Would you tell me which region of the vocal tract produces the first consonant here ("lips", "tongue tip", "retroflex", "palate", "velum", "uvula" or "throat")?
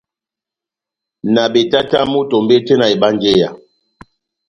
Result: tongue tip